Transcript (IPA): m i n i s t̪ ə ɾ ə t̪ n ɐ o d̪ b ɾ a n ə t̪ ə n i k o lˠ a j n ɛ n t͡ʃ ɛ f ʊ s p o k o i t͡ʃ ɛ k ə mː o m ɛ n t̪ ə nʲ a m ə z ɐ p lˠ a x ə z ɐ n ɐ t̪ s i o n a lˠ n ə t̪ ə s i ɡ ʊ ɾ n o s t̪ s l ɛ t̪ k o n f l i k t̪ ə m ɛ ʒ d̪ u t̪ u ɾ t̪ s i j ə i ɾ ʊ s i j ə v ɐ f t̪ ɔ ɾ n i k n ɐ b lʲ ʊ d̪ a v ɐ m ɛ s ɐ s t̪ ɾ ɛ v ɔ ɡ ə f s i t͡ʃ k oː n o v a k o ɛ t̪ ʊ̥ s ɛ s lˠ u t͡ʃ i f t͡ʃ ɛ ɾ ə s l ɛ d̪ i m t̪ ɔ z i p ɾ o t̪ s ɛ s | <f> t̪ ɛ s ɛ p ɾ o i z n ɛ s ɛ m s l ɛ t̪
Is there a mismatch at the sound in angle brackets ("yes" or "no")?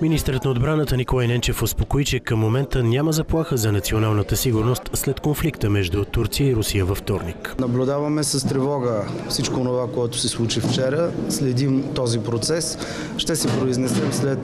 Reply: yes